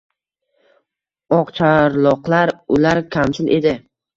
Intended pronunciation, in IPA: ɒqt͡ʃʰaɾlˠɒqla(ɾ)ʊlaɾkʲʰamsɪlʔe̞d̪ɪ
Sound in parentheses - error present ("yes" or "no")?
no